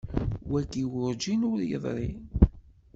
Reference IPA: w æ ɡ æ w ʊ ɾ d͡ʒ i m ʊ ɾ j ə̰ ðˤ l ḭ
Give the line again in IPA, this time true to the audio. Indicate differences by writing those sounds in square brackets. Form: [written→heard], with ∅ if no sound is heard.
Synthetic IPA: w æ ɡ [æ→i] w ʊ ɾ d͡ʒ i [m→n] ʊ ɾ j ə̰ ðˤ [l→ɾ] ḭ